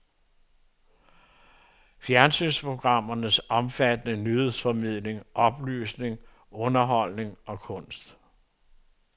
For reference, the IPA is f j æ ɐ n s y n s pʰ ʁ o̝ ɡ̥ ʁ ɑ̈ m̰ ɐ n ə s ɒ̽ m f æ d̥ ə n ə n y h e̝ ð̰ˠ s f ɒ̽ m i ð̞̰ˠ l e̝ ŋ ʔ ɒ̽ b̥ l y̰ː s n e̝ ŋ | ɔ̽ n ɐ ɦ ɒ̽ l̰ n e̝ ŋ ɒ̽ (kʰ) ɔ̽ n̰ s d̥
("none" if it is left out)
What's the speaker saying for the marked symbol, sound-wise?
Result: kʰ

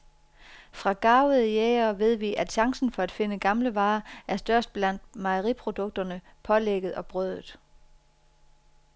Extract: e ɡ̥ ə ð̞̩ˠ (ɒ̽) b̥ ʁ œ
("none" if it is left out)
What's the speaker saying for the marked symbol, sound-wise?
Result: ɒ̽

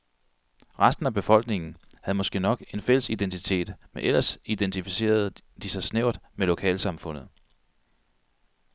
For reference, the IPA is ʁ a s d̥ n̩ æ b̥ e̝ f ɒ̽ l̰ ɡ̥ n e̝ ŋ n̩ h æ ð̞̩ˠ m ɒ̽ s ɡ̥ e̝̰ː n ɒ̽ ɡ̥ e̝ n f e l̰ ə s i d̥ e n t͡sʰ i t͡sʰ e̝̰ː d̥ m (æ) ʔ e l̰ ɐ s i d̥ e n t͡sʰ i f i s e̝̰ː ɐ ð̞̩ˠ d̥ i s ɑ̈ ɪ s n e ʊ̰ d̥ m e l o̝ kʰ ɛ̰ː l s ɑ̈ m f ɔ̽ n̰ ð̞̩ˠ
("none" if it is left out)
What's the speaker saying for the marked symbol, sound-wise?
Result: e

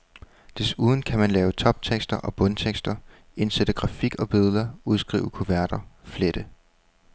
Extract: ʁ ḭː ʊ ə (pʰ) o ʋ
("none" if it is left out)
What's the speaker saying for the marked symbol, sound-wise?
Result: kʰ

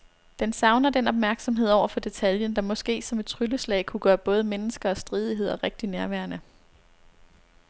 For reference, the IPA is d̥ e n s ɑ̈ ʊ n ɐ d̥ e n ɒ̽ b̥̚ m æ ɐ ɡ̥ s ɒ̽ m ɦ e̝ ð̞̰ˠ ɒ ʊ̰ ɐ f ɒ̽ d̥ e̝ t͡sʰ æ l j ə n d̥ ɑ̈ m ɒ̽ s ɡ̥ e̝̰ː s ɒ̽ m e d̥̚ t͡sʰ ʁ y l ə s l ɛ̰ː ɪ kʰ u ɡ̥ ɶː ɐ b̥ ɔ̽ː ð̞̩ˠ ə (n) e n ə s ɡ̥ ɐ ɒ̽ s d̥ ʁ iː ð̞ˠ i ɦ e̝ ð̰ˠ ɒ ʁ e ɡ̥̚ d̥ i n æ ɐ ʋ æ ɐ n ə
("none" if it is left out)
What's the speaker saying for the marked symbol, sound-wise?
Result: m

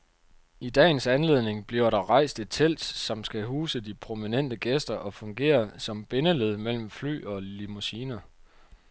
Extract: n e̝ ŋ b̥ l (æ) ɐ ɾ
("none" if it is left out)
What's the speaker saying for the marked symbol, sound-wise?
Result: i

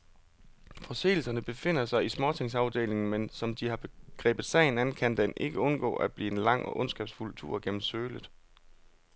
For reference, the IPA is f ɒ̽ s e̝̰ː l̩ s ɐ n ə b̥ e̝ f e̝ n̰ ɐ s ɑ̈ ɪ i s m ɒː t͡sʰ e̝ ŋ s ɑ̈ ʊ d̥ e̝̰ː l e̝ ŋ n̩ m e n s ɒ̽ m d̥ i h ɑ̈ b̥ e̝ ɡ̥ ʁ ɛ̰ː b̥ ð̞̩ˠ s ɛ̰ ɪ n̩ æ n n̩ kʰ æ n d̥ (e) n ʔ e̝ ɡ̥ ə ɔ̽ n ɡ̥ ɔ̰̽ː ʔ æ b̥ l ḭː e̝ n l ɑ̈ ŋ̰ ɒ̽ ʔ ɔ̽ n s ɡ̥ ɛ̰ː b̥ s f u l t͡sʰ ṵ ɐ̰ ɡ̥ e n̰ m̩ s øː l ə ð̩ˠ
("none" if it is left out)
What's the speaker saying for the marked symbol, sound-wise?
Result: e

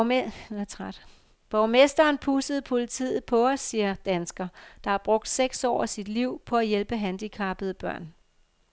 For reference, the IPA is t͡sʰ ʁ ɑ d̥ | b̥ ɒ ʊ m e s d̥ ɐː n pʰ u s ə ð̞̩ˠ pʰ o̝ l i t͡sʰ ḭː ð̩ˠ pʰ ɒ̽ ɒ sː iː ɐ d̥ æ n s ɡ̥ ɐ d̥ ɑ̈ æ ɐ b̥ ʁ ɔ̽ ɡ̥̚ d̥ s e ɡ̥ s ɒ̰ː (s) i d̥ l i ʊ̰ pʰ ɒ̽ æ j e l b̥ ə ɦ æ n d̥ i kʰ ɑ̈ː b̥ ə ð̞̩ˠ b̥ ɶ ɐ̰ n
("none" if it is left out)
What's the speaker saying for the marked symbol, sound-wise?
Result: s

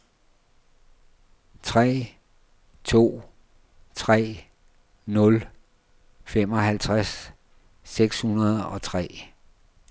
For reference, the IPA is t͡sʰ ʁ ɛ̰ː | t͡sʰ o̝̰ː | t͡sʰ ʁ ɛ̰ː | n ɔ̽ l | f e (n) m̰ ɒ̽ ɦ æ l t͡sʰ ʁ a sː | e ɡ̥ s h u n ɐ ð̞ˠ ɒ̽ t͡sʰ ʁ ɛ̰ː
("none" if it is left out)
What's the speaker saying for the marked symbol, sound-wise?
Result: none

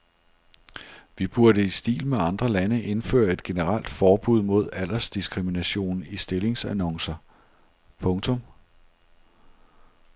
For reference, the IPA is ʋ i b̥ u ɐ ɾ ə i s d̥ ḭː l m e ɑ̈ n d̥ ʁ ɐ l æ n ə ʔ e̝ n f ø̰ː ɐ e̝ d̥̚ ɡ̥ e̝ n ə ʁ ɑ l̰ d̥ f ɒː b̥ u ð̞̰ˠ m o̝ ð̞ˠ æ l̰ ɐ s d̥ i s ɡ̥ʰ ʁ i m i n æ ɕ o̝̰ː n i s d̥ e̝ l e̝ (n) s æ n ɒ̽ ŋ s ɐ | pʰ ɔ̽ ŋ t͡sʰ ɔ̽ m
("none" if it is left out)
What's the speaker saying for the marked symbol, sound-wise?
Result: ŋ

